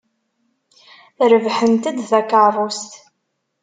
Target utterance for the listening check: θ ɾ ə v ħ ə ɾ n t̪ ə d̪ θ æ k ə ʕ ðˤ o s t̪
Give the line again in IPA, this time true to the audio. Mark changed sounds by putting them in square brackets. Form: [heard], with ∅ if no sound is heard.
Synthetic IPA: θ ɾ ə v ħ ə [∅] n t̪ ə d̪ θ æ k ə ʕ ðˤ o s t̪